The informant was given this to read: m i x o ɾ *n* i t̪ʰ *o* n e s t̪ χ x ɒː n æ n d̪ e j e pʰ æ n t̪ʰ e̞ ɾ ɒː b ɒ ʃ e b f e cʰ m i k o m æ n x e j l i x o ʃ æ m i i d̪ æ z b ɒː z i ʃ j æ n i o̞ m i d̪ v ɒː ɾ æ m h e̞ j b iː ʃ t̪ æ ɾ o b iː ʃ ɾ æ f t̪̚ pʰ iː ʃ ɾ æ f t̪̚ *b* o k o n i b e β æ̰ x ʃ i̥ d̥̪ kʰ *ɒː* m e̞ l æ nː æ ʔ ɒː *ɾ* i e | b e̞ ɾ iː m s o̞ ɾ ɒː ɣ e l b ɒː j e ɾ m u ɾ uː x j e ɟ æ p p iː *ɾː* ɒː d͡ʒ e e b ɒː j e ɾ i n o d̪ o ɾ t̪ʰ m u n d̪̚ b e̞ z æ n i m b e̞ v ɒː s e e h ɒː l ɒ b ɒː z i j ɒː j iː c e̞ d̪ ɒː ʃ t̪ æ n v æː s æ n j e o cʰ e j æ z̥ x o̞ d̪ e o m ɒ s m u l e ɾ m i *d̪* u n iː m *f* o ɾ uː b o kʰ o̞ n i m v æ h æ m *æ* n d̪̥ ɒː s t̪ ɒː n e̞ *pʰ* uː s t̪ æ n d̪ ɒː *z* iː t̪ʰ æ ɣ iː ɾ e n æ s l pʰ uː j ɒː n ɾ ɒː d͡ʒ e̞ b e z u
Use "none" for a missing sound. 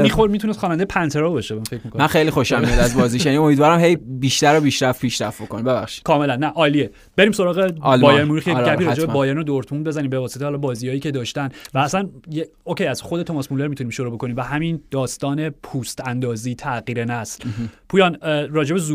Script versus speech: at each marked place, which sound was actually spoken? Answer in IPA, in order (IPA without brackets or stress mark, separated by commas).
m, u, b, ɒː, l, ɾ, t̪, ʃ, i, pʰ, z